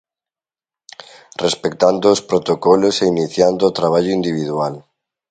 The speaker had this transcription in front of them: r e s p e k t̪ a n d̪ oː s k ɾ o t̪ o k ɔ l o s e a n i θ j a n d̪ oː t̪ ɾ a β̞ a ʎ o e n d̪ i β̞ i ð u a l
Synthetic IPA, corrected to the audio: r e s p e k t̪ a n d̪ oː s p ɾ o t̪ o k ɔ l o s e i n i θ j a n d̪ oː t̪ ɾ a β̞ a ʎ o i n d̪ i β̞ i ð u a l